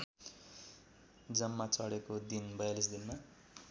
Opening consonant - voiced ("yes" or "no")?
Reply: yes